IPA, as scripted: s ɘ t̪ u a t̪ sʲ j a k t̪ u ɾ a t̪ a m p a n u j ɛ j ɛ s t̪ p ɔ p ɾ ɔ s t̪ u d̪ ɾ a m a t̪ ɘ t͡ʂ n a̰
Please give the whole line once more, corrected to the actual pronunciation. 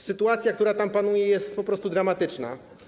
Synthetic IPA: s ɘ t̪ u a t̪ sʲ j a k t̪ u ɾ a t̪ a m p a n u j ɛ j ɛ s t̪ p ɔ p ɾ ɔ s t̪ u d̪ ɾ a m a t̪ ɘ t͡ʂ n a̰